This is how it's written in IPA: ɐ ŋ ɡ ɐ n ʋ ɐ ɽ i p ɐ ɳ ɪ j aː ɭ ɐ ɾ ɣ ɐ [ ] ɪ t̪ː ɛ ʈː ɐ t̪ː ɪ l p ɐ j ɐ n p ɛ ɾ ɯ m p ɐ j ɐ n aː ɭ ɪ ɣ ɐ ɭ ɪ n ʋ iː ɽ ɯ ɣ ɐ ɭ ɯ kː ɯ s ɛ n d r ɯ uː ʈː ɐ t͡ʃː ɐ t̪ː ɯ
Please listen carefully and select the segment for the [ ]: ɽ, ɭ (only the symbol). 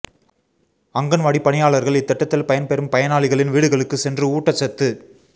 ɭ